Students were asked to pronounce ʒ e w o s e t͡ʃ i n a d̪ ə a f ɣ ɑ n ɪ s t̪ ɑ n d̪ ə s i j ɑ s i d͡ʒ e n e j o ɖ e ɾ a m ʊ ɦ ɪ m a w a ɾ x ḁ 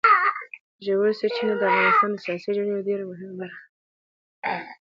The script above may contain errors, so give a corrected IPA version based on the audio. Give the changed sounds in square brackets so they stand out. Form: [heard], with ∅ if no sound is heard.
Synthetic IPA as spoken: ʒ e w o s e t͡ʃ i n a d̪ ə a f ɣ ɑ n ɪ s t̪ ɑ n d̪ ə s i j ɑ s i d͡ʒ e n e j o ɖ e ɾ a m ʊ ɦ ɪ m a [b] a ɾ x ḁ